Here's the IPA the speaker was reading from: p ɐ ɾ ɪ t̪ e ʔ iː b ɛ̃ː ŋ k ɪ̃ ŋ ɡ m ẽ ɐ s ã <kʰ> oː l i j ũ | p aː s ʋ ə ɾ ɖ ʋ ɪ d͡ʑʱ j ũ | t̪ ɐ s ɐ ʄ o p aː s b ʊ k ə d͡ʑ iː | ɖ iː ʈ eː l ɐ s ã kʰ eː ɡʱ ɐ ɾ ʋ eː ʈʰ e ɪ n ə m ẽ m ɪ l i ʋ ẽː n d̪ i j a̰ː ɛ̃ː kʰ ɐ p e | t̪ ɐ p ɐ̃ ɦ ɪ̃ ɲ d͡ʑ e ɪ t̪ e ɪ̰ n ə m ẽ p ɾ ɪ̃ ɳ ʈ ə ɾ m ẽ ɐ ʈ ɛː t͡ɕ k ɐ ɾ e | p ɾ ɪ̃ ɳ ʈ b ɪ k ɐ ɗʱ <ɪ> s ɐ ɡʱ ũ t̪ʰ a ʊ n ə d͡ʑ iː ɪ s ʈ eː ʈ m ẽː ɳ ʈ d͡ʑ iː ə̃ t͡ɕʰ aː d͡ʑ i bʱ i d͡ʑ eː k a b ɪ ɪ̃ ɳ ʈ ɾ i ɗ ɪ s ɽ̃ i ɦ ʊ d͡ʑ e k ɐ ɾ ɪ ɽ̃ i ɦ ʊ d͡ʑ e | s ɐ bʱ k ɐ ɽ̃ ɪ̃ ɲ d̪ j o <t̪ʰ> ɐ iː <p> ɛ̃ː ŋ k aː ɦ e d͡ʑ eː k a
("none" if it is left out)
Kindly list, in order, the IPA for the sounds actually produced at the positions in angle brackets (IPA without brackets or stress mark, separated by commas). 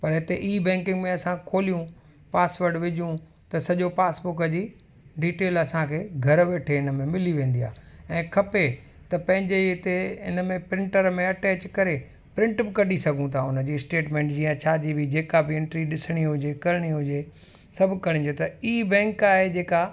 kʰ, i, t̪, b